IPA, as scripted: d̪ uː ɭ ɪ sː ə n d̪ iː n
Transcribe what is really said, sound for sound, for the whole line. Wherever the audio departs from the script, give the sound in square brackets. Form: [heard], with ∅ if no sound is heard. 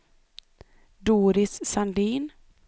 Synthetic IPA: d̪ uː [ɾ] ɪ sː [a] n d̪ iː n